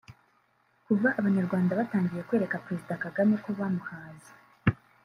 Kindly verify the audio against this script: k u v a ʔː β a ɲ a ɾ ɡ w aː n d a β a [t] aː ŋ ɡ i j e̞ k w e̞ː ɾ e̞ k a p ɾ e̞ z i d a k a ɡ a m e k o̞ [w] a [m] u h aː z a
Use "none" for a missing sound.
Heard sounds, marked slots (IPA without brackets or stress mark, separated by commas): t, β, m